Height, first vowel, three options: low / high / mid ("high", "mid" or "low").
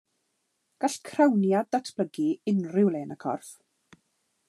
low